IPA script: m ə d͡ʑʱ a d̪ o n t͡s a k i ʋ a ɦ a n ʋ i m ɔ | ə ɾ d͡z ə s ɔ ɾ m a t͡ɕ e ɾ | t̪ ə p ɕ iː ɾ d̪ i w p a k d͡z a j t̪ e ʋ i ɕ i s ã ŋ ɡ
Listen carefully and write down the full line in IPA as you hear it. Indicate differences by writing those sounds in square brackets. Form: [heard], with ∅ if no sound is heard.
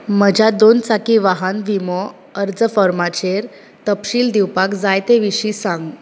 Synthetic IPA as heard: m ə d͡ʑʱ a d̪ o n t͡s a k i ʋ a ɦ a n ʋ i m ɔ | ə ɾ d͡z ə [f] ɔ ɾ m a t͡ɕ e ɾ | t̪ ə p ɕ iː [l] d̪ i w p a k d͡z a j t̪ e ʋ i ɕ i s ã ŋ ɡ